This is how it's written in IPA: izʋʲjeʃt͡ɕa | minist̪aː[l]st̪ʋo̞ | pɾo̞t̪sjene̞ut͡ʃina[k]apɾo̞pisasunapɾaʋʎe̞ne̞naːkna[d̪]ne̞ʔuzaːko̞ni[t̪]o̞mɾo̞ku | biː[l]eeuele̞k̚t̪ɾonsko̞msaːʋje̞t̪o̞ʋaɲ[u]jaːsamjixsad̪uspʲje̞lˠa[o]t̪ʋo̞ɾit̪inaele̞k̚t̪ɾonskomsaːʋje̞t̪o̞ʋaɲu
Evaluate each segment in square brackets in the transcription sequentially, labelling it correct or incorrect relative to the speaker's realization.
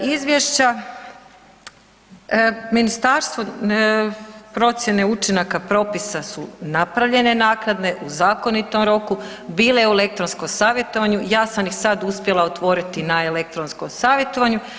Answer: incorrect: ɾ, correct, correct, correct, correct, correct, correct

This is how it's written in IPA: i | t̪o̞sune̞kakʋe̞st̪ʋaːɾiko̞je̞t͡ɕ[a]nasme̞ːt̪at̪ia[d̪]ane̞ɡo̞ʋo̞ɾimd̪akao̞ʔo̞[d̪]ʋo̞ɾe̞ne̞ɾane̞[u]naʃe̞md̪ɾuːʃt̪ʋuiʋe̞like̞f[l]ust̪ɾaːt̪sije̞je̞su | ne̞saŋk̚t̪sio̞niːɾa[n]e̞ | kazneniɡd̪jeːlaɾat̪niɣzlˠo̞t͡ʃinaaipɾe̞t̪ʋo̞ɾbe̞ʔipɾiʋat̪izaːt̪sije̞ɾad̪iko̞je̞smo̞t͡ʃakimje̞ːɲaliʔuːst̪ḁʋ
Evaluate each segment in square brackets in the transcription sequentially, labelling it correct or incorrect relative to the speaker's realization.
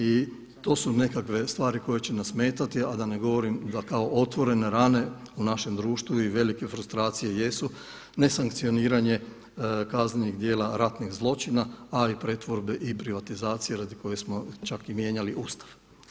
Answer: incorrect: e, correct, incorrect: t̪, correct, incorrect: ɾ, incorrect: ɲ

